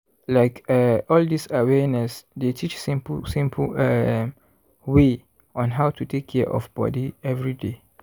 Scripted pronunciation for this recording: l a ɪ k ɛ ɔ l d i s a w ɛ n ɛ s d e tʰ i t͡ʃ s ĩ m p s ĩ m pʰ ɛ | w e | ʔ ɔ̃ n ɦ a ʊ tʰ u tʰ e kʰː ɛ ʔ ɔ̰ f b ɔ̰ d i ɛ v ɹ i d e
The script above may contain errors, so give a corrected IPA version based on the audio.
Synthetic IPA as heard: l a ɪ k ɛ ɔ l d i s a w ɛ n ɛ s d e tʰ i t͡ʃ s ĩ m p s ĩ m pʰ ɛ | w e | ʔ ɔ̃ n ɦ a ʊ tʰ u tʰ e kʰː ɛ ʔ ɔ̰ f b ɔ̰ d i ɛ v ɹ i d e